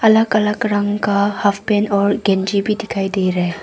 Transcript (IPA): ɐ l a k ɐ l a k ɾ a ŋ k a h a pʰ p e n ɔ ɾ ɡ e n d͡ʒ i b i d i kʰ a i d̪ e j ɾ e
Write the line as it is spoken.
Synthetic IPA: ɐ l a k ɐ l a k ɾ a ŋ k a h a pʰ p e n ɔ ɾ ɡ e n d͡ʒ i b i d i kʰ a j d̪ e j ɾ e

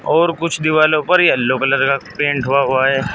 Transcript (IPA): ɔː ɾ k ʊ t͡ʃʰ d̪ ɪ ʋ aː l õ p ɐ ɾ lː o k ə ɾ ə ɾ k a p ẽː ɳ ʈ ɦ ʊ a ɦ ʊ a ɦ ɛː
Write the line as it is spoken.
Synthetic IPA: ɔː ɾ k ʊ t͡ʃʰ d̪ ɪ ʋ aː l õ p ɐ ɾ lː o k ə l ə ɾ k a p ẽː ɳ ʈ ɦ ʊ a ɦ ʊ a ɦ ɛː

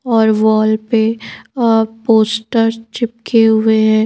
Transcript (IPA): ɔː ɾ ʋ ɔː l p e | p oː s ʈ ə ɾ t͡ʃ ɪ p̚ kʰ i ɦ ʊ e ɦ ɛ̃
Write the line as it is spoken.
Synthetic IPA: ɔː ɾ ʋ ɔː l p e | p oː s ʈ ə ɾ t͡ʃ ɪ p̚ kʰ e ɦ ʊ e ɦ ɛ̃

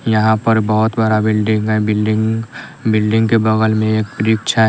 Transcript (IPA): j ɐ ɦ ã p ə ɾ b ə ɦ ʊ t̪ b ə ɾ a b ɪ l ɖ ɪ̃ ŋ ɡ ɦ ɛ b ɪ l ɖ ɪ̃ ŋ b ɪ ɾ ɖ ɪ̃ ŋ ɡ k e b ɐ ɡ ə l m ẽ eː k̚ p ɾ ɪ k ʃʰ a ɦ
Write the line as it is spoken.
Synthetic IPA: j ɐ ɦ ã p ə ɾ b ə ɦ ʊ t̪ b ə ɾ a b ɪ l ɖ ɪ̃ ŋ ɡ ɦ ɛ b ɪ l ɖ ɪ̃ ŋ b ɪ l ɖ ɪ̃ ŋ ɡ k e b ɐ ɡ ə l m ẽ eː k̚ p ɾ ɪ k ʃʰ a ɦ

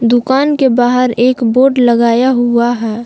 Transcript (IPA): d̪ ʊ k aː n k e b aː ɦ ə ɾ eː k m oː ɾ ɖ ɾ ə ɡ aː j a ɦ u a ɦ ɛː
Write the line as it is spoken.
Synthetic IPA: d̪ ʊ k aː n k e b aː ɦ ə ɾ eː k b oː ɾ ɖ l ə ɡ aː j a ɦ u a ɦ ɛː

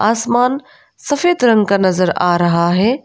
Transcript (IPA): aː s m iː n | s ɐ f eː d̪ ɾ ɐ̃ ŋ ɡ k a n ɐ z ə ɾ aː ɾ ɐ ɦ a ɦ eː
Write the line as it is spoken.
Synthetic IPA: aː s m aː n | s ɐ f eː d̪ ɾ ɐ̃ ŋ ɡ k a n ɐ z ə ɾ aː ɾ ɐ ɦ a ɦ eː

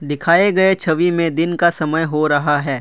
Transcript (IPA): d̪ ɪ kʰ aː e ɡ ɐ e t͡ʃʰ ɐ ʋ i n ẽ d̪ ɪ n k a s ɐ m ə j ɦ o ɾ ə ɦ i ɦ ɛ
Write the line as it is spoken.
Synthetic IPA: d̪ ɪ kʰ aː e ɡ ɐ e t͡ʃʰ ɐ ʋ i m ẽ d̪ ɪ n k a s ɐ m ə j ɦ o ɾ ɐ ɦ a ɦ ɛː

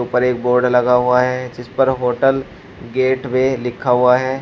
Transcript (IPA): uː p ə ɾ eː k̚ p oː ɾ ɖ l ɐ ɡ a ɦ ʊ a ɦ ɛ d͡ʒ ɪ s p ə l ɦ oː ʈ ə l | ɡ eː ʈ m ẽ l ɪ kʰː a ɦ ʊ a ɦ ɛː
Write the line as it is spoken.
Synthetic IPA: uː p ə ɾ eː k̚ b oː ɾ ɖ l ɐ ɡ a ɦ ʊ a ɦ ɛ d͡ʒ ɪ s p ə ɾ ɦ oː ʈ ə l | ɡ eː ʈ m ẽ l ɪ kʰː a ɦ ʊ a ɦ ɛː

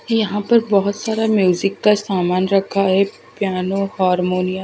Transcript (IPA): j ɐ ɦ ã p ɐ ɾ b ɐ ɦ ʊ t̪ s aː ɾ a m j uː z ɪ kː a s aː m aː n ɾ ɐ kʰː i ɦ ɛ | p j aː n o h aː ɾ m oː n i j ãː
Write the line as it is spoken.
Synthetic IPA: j ɐ ɦ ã p ɐ ɾ b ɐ ɦ ʊ t̪ s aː ɾ a m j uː z ɪ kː a s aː m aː n ɾ ɐ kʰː a ɦ ɛ | p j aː n o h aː ɾ m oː n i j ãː

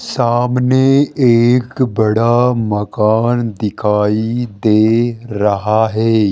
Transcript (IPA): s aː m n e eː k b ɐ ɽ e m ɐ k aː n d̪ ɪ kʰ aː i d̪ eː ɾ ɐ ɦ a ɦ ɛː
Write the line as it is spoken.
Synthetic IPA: s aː m n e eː k b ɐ ɽ a m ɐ k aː n d̪ ɪ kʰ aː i d̪ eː ɾ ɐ ɦ a ɦ ɛː

